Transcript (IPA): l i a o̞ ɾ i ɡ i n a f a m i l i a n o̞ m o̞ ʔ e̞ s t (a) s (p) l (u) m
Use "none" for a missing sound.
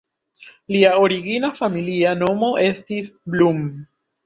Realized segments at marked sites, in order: i, b, u

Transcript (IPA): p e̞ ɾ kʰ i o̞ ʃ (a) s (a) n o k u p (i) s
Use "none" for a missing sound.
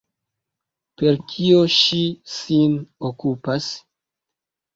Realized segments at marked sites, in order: i, i, a

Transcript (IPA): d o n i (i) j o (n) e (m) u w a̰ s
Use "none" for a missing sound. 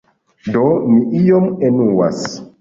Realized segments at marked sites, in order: i, m, n

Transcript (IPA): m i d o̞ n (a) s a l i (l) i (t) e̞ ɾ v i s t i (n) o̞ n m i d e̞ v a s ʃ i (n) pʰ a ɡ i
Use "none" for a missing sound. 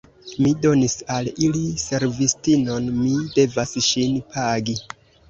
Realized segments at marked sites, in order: i, l, s, n, n

